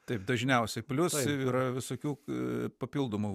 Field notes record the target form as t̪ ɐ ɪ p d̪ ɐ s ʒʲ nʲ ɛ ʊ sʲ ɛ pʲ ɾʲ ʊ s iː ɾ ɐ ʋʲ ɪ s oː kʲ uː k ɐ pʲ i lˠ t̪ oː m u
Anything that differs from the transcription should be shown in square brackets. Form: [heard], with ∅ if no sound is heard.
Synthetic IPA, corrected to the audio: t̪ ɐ ɪ p d̪ ɐ [∅] ʒʲ nʲ ɛ ʊ sʲ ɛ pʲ [lʲ] ʊ s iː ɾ ɐ ʋʲ ɪ s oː kʲ uː [p] ɐ pʲ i lˠ [d̪] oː m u